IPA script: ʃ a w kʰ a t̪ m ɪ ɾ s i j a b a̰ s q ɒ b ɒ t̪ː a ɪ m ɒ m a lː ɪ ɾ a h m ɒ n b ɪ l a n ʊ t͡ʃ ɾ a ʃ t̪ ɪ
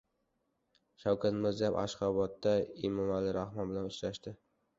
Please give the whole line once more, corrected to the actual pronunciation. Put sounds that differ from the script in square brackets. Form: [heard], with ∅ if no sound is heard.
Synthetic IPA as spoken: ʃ a w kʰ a t̪ m ɪ ɾ [z] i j a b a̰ [ʃ] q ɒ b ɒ t̪ː a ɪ m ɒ m a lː ɪ ɾ a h m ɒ n b ɪ l a n ʊ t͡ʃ ɾ a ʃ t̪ ɪ